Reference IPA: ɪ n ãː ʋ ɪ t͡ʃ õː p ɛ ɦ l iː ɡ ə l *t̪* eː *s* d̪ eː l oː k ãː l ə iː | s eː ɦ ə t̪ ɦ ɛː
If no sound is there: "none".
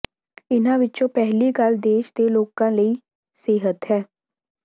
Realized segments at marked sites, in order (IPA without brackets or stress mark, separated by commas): d̪, ʃ